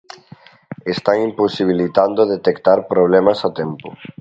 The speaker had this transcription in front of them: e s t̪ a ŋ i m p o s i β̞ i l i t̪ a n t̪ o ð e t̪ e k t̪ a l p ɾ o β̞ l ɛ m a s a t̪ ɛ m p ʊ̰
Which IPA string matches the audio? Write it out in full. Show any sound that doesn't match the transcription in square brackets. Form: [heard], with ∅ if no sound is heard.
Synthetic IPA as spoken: e s t̪ a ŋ i m p o s i β̞ i l i t̪ a n [d̪] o ð e t̪ e k t̪ a [ɾ] p ɾ o β̞ l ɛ m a s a t̪ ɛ m p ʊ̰